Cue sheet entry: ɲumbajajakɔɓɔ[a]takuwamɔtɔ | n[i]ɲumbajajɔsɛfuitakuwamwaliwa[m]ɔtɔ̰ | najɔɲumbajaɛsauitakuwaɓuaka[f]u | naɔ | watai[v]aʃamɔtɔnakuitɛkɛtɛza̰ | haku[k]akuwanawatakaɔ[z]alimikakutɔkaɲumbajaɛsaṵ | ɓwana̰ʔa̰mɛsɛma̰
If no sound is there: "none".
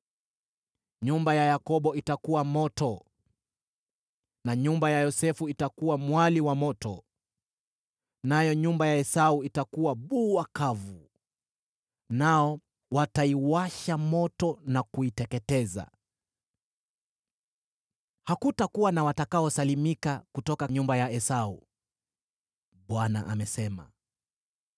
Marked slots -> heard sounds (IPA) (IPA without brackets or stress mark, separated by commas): i, a, m, v, w, t, s